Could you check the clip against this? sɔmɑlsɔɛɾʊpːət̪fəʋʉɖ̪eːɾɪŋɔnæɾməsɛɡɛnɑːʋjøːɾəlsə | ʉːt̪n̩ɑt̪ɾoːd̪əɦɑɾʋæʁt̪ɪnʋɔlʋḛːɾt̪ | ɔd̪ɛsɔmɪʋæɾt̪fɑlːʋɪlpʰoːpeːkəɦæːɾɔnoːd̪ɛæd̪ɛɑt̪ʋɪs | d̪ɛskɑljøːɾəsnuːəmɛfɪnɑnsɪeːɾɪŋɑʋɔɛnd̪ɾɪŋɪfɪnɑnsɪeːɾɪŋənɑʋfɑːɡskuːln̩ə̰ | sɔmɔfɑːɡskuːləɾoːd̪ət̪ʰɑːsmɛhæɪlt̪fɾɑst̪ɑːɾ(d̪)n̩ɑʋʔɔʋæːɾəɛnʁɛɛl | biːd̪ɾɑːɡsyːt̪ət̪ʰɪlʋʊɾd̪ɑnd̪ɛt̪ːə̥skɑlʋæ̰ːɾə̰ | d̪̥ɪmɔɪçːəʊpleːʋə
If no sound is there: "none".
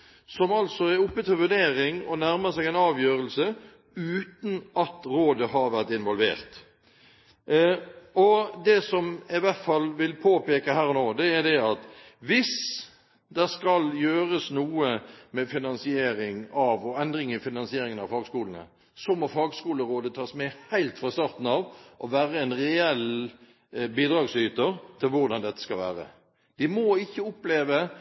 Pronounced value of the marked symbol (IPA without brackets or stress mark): t̪